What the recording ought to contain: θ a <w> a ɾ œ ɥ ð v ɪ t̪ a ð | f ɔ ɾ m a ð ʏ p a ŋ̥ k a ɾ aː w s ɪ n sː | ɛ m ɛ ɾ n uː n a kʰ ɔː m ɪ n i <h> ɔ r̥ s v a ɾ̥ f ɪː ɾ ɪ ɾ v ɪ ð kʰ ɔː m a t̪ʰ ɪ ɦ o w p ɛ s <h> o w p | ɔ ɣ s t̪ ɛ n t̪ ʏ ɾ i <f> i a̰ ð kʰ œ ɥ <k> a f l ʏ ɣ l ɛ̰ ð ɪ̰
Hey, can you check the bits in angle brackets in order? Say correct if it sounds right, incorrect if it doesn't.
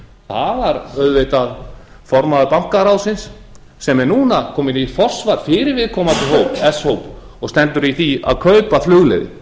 incorrect, incorrect, correct, incorrect, incorrect

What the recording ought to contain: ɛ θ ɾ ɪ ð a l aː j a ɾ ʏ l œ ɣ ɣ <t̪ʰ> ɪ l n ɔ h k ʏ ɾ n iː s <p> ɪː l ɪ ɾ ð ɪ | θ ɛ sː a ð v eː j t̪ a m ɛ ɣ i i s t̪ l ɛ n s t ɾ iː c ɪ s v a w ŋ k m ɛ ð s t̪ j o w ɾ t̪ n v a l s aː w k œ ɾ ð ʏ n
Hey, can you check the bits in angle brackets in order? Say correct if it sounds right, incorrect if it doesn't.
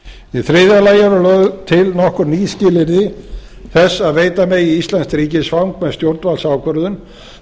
correct, incorrect

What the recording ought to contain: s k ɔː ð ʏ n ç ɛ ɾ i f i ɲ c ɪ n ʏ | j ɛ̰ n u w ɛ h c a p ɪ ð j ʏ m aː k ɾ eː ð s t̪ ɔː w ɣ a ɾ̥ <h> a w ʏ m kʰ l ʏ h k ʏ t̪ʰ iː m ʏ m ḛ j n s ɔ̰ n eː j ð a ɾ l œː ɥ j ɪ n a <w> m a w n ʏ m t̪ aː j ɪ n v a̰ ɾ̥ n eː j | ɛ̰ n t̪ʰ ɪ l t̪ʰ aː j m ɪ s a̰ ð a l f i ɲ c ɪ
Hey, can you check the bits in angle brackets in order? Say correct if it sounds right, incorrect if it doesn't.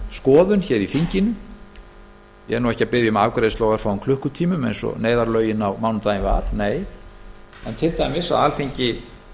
incorrect, correct

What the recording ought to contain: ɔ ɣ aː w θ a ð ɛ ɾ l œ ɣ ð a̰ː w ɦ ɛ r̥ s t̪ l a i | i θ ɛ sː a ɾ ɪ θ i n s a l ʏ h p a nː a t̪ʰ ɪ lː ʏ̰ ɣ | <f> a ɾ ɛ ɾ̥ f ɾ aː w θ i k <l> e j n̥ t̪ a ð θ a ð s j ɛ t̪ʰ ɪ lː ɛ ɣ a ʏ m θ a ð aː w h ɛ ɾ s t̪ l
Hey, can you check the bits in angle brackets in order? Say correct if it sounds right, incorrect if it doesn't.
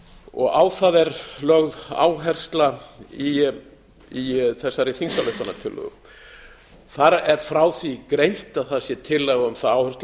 incorrect, incorrect

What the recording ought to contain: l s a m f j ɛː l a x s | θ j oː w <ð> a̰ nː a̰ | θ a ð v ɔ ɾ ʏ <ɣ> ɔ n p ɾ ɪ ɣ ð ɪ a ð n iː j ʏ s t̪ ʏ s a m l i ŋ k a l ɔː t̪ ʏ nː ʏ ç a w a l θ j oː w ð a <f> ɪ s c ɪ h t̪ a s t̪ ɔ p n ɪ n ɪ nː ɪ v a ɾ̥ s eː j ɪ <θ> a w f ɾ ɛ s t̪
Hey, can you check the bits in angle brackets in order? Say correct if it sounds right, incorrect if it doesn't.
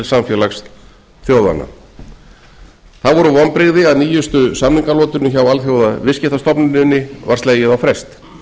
correct, incorrect, incorrect, incorrect

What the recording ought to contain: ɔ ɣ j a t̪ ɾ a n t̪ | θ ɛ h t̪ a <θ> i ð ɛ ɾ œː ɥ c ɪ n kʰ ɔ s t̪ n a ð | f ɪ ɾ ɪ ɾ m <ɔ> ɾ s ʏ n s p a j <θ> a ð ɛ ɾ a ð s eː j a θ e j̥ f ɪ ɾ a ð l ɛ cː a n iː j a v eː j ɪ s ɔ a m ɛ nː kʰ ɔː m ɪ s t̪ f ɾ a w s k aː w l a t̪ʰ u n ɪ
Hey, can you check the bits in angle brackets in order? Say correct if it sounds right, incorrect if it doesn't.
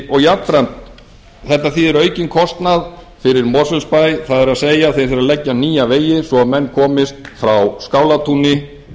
correct, correct, correct

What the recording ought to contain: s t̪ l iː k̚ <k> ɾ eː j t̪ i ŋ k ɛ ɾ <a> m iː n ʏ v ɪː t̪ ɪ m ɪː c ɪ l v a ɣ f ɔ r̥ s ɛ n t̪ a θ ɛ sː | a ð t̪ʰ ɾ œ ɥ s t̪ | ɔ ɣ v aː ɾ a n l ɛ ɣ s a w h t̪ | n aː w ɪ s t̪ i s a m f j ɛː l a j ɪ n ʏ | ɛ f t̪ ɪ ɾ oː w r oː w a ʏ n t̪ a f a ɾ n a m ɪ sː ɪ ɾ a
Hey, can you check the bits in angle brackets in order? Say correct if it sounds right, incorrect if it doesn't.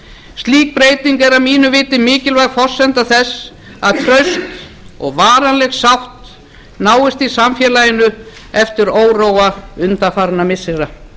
incorrect, correct

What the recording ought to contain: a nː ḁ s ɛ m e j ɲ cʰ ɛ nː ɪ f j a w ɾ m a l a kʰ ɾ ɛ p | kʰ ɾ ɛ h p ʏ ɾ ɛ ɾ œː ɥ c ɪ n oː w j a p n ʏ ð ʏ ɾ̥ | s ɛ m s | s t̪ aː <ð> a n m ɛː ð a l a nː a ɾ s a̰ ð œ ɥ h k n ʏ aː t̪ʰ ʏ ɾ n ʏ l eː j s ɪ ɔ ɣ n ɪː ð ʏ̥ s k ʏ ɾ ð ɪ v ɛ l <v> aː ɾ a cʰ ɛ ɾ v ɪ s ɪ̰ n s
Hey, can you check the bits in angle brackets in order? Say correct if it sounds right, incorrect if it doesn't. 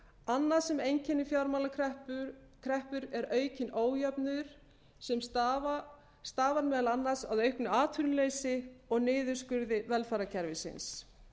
incorrect, incorrect

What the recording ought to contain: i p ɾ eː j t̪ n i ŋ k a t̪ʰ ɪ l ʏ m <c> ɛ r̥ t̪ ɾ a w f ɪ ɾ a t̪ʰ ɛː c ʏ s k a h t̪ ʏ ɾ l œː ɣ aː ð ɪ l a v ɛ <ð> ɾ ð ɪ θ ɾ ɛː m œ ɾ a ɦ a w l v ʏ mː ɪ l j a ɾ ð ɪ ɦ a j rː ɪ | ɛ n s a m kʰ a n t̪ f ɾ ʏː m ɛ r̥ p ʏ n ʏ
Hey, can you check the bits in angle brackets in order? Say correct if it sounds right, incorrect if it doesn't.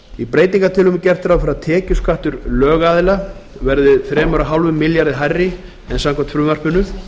correct, incorrect

